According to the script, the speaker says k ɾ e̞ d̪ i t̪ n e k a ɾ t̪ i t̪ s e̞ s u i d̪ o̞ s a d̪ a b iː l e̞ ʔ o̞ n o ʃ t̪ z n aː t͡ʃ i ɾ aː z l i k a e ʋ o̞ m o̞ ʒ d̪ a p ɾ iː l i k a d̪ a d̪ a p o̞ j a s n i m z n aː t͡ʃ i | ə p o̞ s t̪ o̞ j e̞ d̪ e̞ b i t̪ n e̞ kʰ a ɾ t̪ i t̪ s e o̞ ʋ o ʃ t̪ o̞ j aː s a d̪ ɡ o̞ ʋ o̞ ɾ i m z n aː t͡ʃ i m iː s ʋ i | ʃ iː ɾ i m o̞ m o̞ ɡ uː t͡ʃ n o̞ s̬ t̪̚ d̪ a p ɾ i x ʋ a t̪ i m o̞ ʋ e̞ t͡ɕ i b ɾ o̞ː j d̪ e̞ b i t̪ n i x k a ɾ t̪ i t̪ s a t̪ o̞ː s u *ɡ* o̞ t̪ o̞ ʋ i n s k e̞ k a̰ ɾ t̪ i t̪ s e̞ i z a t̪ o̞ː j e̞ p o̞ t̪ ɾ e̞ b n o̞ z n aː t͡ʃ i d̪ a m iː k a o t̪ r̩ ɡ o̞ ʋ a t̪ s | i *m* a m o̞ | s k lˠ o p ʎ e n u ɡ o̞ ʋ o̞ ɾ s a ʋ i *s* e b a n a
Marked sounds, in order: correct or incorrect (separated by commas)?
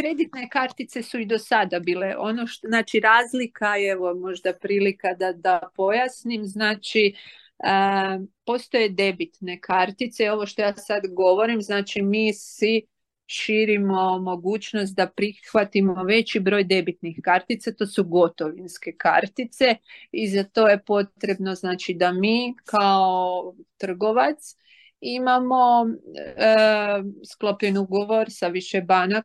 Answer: correct, correct, incorrect